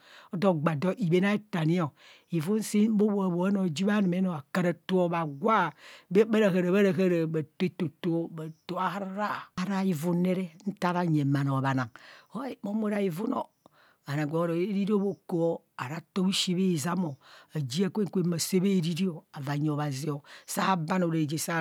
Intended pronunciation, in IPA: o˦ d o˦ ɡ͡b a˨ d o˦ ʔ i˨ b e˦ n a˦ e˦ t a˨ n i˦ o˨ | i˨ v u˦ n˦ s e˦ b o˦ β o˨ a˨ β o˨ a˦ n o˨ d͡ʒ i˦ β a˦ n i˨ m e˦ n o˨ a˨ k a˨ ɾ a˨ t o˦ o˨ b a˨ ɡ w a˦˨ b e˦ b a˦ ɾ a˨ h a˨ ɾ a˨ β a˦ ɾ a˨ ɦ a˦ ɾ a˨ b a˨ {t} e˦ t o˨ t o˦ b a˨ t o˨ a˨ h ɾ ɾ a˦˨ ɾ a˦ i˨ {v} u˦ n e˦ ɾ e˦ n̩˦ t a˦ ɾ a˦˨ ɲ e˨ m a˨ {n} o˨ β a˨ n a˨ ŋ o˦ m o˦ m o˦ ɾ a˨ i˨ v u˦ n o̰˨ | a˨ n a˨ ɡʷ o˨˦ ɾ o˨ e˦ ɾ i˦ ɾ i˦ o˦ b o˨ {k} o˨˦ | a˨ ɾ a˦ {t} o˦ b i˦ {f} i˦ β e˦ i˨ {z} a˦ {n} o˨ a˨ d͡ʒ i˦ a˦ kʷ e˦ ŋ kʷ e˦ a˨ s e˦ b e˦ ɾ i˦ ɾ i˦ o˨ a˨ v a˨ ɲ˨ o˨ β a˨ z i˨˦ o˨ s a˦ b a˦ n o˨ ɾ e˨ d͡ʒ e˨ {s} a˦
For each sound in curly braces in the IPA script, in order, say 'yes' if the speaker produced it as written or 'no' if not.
yes, yes, yes, yes, yes, no, yes, no, yes

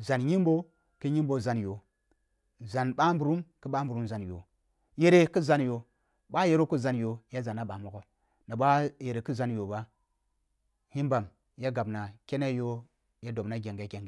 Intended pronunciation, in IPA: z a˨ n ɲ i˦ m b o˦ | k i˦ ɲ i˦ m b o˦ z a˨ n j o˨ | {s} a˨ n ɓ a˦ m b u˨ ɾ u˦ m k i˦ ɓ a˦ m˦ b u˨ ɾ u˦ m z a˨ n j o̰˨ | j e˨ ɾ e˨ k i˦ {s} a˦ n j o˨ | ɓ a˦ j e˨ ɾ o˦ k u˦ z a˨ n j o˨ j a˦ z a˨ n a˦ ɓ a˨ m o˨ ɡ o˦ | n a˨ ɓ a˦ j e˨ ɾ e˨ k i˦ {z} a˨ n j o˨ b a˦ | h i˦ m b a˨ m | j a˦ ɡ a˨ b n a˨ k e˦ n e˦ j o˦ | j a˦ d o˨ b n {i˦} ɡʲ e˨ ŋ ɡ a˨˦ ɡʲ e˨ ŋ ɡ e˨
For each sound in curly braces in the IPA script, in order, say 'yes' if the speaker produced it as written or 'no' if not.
no, no, yes, no

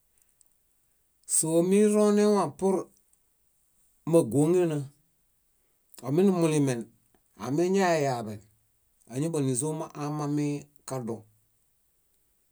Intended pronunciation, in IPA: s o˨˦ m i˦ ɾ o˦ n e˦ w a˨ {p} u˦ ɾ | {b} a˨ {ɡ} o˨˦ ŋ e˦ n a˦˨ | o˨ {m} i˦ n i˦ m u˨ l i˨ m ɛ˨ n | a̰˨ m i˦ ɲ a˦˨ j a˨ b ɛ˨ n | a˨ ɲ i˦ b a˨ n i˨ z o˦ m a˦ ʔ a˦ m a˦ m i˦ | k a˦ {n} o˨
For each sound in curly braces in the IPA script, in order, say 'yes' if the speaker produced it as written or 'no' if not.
yes, no, yes, yes, no

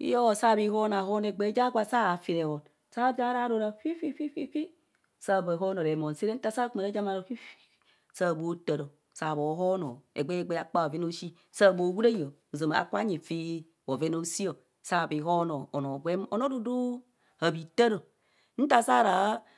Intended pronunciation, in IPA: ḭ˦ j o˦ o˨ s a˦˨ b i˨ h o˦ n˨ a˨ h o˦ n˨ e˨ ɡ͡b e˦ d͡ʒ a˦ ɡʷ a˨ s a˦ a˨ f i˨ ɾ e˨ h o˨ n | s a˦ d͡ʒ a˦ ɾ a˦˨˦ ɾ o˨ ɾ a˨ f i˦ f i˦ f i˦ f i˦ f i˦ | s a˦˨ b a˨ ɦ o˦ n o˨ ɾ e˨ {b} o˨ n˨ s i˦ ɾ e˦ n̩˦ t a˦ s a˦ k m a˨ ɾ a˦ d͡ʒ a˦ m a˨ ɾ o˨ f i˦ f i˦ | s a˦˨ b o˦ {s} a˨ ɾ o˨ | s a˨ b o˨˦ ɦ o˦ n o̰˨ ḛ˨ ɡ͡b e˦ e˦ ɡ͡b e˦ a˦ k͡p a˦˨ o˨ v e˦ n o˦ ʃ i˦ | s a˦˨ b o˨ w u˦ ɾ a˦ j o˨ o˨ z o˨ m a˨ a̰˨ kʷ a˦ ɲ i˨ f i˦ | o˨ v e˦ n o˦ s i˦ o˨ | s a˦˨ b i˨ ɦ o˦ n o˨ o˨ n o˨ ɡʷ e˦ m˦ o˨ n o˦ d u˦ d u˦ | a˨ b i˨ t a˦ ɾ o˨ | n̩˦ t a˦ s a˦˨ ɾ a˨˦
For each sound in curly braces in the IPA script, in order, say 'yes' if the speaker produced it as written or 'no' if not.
no, no

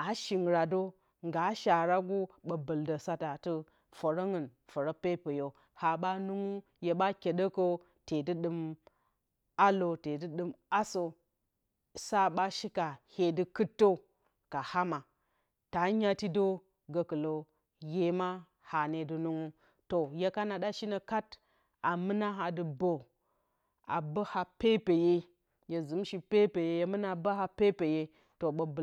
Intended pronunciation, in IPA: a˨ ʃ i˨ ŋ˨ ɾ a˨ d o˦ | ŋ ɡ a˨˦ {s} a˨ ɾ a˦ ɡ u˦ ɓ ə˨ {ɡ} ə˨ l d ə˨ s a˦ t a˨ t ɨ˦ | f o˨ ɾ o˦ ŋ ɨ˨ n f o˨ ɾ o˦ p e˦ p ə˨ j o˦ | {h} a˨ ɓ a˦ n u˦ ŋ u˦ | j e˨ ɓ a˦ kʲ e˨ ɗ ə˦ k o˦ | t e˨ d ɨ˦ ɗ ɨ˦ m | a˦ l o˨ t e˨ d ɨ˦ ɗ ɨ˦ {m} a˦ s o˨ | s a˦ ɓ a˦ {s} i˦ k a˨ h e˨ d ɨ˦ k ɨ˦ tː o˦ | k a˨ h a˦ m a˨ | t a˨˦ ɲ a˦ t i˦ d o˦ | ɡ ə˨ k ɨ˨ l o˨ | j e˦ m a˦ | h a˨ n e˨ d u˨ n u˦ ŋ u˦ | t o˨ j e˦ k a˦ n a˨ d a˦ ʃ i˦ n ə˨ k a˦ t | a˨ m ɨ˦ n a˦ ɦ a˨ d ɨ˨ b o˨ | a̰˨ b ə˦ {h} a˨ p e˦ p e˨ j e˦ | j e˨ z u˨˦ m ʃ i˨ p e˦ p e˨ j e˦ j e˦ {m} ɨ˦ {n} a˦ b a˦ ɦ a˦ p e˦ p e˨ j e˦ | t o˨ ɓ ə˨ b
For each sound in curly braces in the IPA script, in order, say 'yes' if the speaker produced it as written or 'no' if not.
no, no, yes, yes, no, yes, yes, yes

